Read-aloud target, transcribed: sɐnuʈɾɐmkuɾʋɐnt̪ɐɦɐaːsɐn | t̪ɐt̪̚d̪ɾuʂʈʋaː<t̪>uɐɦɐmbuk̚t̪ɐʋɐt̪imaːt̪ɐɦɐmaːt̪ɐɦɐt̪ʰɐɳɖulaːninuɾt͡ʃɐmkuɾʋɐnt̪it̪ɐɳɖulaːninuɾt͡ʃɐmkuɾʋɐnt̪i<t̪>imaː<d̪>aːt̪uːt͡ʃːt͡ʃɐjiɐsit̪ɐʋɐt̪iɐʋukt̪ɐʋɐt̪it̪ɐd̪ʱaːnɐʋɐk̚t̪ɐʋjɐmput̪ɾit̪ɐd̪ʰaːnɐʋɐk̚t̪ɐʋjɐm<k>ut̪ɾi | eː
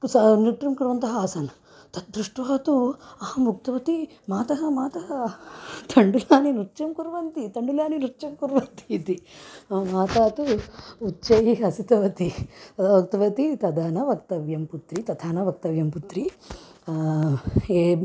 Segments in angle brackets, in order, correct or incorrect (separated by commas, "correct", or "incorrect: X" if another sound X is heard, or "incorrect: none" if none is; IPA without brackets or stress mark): correct, correct, incorrect: t̪, incorrect: p